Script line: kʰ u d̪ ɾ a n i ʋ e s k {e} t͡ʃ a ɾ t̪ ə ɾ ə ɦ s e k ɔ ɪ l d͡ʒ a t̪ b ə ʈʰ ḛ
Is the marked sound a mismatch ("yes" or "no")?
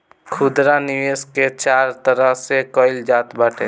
no